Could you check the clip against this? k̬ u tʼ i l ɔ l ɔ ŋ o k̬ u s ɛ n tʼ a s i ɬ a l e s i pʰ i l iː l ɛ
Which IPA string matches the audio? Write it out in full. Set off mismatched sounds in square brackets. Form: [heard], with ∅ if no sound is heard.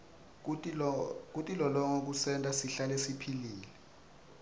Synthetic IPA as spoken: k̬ u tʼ i l ɔ l ɔ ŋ o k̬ u s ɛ n tʼ a s i ɬ a l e s i pʰ i l iː l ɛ